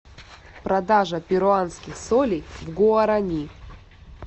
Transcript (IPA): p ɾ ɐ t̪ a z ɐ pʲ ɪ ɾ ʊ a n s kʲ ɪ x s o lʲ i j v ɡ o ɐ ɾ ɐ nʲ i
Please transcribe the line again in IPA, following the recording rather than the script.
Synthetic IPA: p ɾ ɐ d̪ a ʐ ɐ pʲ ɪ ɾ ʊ a n s kʲ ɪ x s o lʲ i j v ɡ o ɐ ɾ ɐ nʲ i